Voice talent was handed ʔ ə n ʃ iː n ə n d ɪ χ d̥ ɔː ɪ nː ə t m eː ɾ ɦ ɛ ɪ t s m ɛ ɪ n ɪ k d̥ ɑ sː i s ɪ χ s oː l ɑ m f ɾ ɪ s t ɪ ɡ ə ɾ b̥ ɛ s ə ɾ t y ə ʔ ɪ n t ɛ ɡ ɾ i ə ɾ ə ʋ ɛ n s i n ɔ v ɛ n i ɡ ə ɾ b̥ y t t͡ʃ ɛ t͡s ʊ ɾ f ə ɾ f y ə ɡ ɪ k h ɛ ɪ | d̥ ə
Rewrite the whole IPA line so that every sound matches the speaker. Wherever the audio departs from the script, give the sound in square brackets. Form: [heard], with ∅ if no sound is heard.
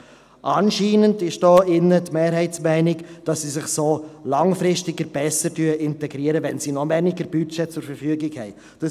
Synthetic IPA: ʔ [ɑ] n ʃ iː n ə n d ɪ [ʃ] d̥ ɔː ɪ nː ə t m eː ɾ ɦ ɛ ɪ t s m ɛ ɪ n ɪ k d̥ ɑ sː i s ɪ χ s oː l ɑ [ŋ] f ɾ ɪ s t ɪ ɡ ə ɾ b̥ ɛ s ə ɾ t y ə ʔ ɪ n t ɛ ɡ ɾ i ə ɾ ə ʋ ɛ n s i n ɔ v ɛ n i ɡ ə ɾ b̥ y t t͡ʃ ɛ t͡s ʊ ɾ f ə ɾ f y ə ɡ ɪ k h ɛ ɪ | d̥ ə